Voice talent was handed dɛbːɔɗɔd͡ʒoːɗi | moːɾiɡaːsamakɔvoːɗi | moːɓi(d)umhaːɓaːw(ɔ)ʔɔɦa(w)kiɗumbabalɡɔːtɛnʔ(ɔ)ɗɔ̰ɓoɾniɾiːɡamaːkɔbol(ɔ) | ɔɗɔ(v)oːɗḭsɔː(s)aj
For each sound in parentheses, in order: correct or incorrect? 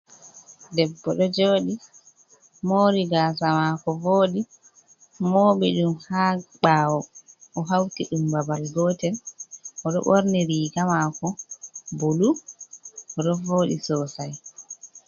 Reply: incorrect, correct, correct, correct, incorrect, correct, correct

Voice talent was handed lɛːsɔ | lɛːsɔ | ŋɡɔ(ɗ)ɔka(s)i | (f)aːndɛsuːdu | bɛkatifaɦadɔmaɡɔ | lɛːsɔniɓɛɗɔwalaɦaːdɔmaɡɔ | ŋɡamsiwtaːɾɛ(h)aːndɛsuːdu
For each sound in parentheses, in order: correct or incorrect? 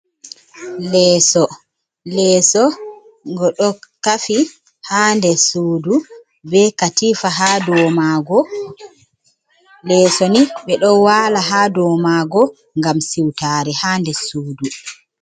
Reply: correct, incorrect, incorrect, correct

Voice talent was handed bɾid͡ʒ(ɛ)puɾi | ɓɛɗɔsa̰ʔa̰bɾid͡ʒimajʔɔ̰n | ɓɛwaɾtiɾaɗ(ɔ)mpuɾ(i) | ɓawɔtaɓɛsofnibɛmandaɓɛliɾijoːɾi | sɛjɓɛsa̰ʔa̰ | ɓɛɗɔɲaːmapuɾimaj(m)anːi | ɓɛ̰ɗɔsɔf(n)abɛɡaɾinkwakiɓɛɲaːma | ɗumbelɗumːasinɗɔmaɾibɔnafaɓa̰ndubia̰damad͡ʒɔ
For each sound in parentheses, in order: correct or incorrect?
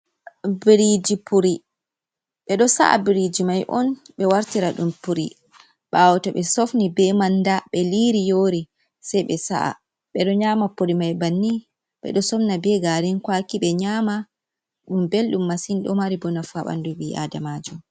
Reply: incorrect, incorrect, correct, incorrect, correct

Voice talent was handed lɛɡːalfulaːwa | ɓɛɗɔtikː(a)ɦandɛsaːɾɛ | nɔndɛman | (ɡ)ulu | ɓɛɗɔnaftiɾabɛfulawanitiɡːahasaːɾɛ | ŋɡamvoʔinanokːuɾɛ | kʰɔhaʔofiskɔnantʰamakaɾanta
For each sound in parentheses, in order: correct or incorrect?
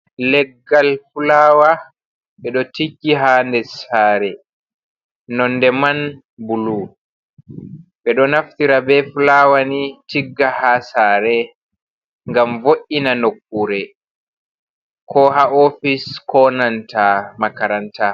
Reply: incorrect, incorrect

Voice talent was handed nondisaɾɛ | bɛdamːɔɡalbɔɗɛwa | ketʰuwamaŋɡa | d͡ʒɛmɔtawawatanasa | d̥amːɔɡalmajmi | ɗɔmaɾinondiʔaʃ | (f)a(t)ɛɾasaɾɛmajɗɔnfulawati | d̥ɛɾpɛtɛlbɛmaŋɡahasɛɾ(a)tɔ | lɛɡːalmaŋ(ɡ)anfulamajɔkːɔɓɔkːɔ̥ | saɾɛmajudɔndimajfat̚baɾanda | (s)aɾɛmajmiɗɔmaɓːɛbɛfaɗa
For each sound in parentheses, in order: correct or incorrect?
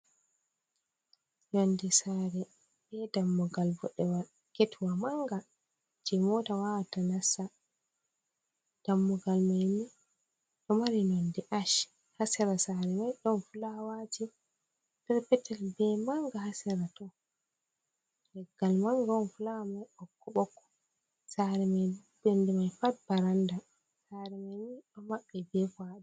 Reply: incorrect, incorrect, correct, correct, correct

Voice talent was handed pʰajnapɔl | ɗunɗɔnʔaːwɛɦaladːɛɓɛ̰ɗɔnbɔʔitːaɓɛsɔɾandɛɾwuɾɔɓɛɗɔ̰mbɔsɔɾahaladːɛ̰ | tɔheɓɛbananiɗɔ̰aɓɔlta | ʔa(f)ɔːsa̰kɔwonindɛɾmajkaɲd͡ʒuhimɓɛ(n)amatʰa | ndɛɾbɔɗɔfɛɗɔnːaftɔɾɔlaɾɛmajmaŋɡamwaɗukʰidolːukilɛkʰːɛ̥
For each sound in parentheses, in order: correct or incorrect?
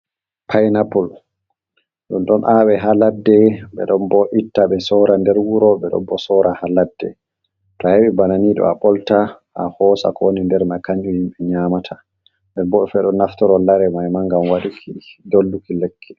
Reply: incorrect, incorrect

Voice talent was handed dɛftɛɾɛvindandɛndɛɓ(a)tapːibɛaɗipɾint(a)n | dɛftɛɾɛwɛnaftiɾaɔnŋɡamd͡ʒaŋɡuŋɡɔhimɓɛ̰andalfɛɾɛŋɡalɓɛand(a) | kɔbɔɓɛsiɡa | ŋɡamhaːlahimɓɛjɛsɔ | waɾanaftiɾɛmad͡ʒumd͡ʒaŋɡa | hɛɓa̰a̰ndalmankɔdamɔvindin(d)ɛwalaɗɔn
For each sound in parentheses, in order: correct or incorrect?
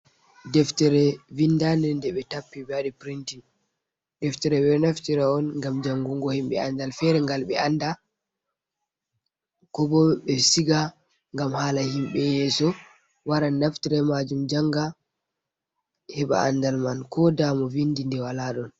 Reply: incorrect, incorrect, correct, correct

